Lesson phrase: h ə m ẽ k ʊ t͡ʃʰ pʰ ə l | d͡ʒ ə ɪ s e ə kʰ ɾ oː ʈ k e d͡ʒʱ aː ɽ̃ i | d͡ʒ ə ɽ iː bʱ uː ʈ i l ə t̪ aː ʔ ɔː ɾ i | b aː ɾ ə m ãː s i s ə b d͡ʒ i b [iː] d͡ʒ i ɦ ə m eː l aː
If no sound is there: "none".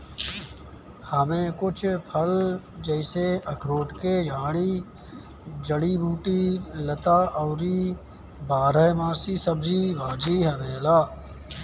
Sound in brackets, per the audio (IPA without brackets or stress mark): aː